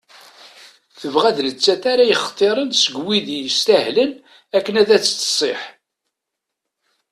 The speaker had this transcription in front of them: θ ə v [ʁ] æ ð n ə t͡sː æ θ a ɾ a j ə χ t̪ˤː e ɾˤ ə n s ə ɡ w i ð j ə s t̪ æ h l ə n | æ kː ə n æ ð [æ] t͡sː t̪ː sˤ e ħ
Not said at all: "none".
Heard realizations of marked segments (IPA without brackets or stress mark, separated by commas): ʁ, æ